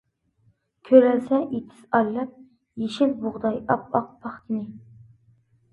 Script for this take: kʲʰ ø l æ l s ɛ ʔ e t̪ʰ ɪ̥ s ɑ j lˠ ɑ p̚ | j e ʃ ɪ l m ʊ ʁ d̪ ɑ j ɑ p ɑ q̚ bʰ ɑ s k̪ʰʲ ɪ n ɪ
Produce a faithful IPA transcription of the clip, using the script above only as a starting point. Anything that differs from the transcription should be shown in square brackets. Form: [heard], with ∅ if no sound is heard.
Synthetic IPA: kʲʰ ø [ɾ] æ l s ɛ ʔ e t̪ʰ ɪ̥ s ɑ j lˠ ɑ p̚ | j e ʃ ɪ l [b] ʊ ʁ d̪ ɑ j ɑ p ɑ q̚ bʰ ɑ [χ] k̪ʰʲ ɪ n ɪ